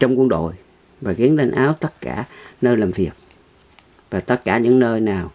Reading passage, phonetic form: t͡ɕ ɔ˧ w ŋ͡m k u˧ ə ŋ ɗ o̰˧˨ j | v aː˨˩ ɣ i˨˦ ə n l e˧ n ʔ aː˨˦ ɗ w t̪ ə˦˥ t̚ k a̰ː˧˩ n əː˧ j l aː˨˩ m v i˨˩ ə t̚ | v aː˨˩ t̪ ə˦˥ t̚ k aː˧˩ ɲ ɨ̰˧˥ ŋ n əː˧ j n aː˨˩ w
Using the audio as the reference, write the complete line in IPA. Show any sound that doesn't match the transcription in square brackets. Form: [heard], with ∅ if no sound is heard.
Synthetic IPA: t͡ɕ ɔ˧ w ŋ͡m k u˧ ə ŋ ɗ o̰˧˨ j | v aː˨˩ ɣ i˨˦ ə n l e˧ n ʔ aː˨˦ [∅] w t̪ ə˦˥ t̚ k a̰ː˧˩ n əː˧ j l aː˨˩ m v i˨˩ ə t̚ | v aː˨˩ t̪ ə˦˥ t̚ k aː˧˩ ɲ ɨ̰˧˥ ŋ n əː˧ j n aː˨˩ w